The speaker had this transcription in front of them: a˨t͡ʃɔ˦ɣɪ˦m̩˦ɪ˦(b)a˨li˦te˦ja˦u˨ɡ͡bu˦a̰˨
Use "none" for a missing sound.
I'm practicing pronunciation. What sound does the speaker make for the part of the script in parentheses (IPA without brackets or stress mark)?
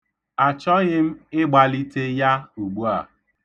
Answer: ɡ͡b